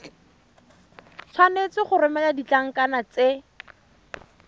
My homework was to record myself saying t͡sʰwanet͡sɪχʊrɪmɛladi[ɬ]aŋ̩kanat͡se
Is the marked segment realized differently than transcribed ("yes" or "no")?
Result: yes